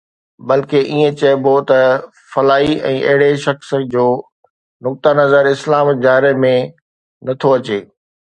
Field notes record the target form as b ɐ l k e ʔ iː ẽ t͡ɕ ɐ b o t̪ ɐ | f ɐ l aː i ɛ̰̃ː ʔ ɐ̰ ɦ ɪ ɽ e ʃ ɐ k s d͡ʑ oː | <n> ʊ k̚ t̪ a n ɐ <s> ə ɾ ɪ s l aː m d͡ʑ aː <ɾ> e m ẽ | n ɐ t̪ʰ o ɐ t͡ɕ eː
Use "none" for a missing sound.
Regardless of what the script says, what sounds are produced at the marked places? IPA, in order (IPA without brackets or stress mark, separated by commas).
n, z, ɾ